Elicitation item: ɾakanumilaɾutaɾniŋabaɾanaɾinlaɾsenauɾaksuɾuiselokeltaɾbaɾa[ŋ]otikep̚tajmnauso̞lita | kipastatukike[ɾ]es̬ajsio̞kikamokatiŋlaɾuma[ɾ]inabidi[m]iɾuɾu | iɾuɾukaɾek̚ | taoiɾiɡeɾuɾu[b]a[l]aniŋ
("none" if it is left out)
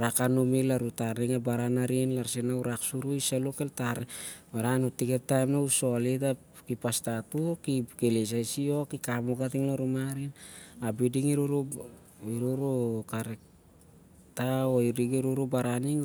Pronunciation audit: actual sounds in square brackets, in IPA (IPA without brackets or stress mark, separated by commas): n, l, ɾ, ŋ, b, ɾ